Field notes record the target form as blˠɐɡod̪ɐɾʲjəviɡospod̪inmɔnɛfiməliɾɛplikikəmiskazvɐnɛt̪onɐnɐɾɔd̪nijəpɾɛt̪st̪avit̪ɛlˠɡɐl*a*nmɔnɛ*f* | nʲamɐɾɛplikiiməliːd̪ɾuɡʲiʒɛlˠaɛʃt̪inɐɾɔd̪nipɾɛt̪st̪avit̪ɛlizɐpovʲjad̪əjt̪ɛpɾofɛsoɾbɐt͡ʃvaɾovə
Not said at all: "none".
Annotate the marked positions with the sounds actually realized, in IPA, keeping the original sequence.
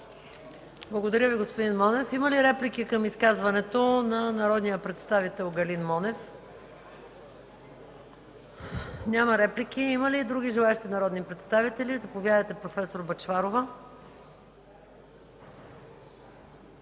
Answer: i, f

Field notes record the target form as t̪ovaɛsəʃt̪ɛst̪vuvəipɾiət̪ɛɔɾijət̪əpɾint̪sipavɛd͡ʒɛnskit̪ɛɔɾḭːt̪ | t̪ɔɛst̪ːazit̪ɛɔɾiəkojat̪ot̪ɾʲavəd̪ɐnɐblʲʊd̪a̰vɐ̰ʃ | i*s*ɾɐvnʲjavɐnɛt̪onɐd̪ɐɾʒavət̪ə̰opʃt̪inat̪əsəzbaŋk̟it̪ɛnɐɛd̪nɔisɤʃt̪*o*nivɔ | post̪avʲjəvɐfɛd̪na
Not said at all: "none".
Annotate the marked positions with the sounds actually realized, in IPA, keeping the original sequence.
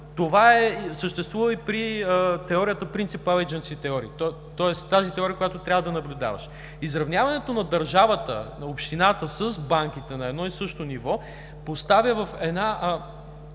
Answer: z, o

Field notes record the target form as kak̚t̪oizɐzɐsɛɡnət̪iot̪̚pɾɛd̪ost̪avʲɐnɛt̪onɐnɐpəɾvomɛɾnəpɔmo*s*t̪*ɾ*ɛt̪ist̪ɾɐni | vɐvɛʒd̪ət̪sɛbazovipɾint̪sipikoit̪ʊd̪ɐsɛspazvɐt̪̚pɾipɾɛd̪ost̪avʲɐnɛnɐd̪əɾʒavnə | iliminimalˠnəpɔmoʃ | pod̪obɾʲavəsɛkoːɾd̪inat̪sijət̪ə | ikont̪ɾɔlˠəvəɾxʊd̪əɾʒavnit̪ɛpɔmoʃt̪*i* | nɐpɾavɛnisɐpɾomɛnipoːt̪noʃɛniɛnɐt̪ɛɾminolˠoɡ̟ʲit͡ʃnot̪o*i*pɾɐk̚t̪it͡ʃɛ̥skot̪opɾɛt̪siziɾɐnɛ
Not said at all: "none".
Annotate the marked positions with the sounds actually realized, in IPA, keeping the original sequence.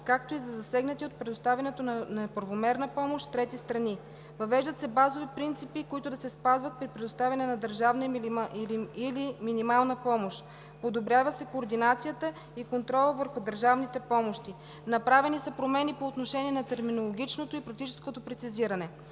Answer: ʃ, ɾ, i, i

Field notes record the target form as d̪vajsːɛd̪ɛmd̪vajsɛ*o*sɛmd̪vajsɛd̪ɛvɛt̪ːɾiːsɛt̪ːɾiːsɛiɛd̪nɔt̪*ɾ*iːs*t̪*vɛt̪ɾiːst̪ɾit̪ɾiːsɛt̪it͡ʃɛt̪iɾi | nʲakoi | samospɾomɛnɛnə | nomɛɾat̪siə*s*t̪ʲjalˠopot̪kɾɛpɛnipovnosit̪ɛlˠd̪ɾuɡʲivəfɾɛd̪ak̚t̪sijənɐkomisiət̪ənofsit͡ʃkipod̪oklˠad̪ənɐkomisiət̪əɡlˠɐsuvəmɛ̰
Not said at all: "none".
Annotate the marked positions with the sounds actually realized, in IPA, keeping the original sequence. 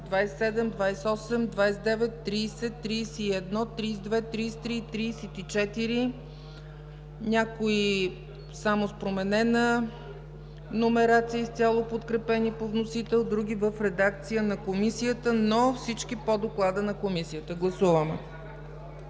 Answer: ɔ, ɾ, d̪, s

